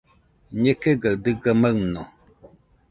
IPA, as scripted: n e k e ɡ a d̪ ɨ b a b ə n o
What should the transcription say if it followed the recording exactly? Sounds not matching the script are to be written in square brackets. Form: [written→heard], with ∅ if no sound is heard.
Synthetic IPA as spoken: [n→ɲ] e k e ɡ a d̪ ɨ [b→ɡ] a [b→m] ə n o